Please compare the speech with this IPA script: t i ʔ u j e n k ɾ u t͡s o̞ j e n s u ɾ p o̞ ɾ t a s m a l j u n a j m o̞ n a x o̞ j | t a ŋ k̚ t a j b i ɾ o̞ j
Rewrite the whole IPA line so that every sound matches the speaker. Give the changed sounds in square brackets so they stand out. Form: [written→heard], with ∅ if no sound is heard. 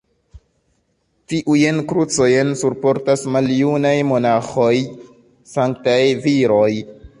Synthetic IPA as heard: t i ʔ u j e n k ɾ u t͡s o̞ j e n s u ɾ p o̞ ɾ t a s m a l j u n a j m o̞ n a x o̞ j | [t→s] a ŋ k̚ t a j [b→v] i ɾ o̞ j